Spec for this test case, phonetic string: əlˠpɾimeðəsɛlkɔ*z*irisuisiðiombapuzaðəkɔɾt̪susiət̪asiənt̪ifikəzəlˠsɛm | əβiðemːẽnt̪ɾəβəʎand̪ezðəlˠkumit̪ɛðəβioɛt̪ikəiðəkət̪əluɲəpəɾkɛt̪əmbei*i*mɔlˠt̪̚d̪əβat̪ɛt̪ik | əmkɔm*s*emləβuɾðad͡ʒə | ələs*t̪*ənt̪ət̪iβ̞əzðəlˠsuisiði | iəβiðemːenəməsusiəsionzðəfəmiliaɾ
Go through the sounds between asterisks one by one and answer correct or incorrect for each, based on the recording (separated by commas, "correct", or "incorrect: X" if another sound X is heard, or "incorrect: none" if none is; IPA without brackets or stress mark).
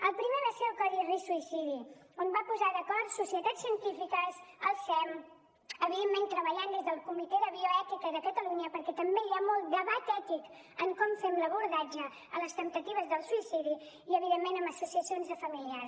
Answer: incorrect: ð, incorrect: a, incorrect: f, correct